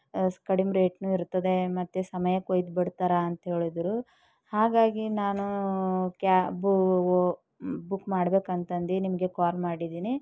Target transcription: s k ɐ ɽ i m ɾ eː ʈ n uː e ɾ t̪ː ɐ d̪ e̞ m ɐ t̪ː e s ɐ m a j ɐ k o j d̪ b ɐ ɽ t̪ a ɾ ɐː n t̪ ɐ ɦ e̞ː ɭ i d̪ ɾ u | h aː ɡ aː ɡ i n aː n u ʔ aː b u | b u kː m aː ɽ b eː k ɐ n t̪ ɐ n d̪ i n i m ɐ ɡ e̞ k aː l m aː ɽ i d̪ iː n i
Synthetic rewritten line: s k ɐ ɽ i m ɾ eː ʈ n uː i ɾ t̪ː ɐ d̪ e̞ m ɐ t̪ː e s ɐ m ɐ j ɐ k o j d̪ b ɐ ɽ t̪ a ɾ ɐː n t̪ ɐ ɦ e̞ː ɭ i d̪ ɾ u | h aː ɡ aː ɡ i n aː n u k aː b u | b u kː m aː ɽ b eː k ɐ n t̪ ɐ n d̪ i n i m ɐ ɡ e̞ k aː l m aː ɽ i d̪ iː n i